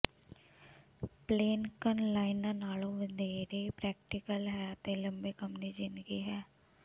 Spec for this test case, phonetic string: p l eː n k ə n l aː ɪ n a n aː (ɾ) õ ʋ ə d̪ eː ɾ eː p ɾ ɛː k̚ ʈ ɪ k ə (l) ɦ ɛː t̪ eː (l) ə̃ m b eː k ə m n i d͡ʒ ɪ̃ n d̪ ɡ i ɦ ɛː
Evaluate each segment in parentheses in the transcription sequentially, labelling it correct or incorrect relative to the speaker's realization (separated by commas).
incorrect, correct, correct